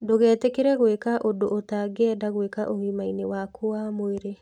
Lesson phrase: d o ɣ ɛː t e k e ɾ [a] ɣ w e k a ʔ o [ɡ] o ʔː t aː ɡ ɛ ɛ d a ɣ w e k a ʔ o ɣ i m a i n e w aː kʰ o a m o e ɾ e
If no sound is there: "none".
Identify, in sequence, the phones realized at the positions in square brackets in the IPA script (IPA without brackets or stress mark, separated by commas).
ɛ, d